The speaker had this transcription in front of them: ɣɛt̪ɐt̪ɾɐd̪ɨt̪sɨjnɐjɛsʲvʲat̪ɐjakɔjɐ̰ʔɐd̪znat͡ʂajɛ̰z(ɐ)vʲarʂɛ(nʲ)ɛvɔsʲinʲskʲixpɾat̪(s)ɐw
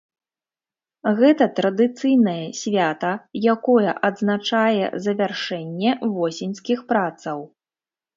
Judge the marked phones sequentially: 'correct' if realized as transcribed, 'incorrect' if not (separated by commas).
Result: correct, incorrect, correct